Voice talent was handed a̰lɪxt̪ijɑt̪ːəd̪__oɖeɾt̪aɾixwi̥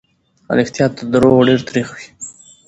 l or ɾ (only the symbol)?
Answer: ɾ